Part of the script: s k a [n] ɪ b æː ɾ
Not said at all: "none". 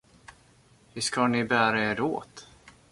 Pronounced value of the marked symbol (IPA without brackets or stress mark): n